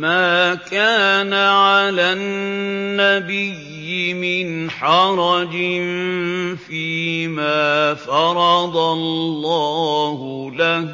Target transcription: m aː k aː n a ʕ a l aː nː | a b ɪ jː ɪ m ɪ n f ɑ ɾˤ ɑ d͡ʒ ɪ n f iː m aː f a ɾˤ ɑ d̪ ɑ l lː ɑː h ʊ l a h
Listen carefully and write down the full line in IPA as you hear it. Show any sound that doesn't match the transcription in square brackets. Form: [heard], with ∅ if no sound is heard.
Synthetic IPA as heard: m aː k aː n a ʕ a l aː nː | a b ɪ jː ɪ m ɪ n [ħ] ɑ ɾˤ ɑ d͡ʒ ɪ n f iː m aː f [ɑ] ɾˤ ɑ d̪ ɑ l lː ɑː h ʊ l a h